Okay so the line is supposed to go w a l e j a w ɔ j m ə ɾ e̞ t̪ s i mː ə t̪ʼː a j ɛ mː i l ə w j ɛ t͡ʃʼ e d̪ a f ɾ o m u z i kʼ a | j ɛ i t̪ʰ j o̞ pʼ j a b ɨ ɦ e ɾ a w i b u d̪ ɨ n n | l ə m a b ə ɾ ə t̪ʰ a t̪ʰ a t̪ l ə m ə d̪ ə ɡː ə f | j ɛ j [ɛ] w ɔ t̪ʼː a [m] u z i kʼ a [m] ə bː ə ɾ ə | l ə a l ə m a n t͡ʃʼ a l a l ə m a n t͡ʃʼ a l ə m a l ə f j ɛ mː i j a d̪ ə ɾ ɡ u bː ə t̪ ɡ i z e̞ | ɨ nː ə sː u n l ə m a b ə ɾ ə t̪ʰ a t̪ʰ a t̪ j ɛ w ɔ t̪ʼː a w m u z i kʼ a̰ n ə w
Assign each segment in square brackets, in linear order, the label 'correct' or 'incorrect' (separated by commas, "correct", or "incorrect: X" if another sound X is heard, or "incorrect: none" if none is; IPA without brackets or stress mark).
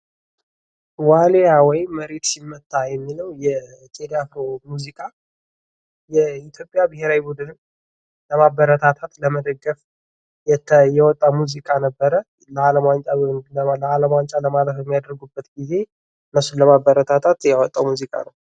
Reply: correct, correct, incorrect: n